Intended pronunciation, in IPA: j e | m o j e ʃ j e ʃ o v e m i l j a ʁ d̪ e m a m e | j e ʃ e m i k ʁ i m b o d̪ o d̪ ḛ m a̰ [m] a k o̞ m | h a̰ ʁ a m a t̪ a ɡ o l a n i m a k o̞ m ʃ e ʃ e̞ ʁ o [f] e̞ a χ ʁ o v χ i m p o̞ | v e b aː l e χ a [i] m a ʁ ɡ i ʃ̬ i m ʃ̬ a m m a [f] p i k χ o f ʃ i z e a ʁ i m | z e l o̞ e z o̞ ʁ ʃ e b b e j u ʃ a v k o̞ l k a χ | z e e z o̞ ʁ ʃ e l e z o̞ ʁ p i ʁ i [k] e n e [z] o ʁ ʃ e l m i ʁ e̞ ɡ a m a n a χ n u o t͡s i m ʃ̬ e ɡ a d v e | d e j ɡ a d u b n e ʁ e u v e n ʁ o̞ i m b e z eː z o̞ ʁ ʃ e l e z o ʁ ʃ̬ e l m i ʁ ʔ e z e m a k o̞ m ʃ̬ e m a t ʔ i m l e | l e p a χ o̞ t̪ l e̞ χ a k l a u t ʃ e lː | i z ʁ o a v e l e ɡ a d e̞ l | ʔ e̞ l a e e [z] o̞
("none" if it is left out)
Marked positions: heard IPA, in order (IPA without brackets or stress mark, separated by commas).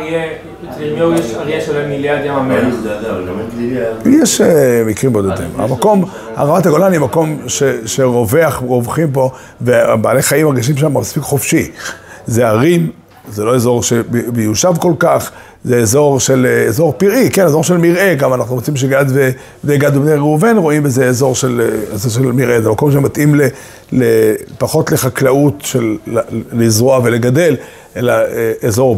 m, v, i, s, k, z, z